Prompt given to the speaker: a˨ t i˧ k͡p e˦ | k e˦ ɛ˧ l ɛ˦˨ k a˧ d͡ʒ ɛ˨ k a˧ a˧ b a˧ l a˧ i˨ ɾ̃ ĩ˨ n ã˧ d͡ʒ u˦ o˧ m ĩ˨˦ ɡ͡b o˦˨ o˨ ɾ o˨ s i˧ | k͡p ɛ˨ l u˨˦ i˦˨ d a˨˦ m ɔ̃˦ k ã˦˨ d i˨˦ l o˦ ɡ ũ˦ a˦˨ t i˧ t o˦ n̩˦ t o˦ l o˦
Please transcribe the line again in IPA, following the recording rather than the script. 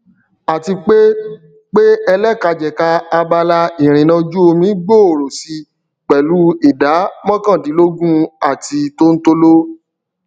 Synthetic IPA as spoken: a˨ t i˧ k͡p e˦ | k͡p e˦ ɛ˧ l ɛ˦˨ k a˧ d͡ʒ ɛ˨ k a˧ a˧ b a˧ l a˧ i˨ ɾ̃ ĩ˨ n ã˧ d͡ʒ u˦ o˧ m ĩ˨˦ ɡ͡b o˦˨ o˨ ɾ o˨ s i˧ | k͡p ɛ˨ l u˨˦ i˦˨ d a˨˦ m ɔ̃˦ k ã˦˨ d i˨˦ l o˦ ɡ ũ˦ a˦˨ t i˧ t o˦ n̩˦ t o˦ l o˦

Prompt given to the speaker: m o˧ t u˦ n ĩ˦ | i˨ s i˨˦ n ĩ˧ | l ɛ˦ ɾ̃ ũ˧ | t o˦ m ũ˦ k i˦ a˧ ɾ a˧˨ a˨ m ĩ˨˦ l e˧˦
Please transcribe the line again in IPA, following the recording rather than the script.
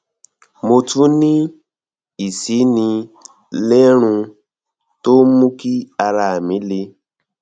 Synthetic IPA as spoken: m o˧ t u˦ n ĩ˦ | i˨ s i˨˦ n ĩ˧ | l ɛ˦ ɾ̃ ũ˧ | t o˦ m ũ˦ k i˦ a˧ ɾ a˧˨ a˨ m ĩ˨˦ l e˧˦

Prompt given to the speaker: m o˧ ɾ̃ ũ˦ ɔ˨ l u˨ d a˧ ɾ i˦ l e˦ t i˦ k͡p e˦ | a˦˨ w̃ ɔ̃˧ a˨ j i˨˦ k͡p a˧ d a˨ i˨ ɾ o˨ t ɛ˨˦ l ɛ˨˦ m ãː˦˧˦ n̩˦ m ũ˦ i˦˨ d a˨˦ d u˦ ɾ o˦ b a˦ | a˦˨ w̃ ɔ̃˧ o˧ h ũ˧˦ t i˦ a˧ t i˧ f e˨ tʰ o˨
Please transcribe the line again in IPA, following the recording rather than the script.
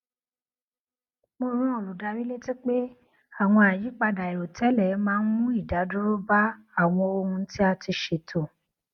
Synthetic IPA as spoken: m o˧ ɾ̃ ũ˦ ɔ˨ l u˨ d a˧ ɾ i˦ l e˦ t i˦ k͡p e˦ | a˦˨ w̃ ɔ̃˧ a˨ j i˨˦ k͡p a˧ d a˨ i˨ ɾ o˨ t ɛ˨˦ l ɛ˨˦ m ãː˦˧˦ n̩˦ m ũ˦ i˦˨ d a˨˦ d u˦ ɾ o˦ b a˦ | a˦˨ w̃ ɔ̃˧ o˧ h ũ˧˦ t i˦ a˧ t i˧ ʃ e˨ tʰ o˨

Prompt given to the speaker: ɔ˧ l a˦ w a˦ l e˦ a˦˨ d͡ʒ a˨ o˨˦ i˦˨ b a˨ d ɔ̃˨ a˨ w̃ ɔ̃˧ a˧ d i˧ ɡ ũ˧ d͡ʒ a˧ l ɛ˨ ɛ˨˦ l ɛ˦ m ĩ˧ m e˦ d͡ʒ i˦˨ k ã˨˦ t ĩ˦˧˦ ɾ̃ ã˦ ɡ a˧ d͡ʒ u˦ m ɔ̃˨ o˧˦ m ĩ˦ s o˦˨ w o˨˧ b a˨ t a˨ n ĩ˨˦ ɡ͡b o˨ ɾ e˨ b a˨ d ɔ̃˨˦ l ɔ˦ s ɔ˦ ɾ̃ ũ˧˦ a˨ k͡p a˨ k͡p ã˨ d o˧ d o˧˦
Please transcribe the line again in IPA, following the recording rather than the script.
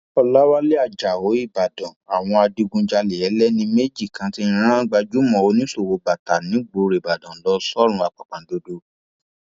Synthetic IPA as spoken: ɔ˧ l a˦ w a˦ l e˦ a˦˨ d͡ʒ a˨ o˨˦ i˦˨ b a˨ d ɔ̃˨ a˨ w̃ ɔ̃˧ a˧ d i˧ ɡ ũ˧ d͡ʒ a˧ l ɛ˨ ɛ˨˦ l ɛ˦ n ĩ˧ m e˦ d͡ʒ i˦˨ k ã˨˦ t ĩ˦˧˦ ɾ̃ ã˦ ɡ͡b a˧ d͡ʒ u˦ m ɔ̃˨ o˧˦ n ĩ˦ s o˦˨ w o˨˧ b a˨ t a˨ n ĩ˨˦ ɡ͡b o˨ ɾ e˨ b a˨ d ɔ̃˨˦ l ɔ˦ s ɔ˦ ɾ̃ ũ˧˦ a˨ k͡p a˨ k͡p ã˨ d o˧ d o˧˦

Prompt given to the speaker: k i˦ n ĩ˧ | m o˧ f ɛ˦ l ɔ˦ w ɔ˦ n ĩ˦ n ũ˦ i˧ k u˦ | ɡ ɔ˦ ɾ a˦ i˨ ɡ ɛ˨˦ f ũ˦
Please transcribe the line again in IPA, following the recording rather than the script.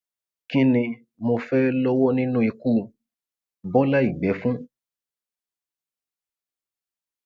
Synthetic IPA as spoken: k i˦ n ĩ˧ | m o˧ f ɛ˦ l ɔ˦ w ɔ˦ n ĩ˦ n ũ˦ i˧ k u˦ | b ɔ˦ l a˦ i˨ ɡ͡b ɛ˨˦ f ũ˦

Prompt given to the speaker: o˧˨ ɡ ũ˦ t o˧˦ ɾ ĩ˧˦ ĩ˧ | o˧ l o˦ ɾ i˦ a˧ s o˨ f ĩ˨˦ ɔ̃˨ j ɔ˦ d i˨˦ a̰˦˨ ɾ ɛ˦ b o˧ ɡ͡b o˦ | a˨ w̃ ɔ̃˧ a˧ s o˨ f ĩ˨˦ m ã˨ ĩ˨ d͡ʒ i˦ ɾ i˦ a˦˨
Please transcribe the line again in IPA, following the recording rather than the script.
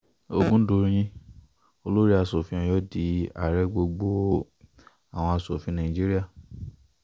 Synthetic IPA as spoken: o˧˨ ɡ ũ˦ d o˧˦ ɾ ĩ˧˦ ĩ˧ | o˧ l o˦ ɾ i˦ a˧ s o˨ f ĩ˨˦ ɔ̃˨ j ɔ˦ d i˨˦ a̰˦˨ ɾ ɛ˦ ɡ͡b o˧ ɡ͡b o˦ | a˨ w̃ ɔ̃˧ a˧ s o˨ f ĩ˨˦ n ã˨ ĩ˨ d͡ʒ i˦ ɾ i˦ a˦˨

